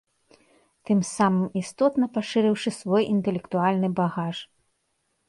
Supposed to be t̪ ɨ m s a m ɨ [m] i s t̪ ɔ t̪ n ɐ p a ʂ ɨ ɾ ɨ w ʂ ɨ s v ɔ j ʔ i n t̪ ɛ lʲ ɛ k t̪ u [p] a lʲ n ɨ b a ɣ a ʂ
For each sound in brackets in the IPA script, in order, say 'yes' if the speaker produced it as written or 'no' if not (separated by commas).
yes, no